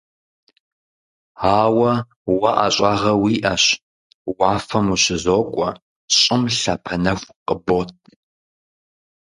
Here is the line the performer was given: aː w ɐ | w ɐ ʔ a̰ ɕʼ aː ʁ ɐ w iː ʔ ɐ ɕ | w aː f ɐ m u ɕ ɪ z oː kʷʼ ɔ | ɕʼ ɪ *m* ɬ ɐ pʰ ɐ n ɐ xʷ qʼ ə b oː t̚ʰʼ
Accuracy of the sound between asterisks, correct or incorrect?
correct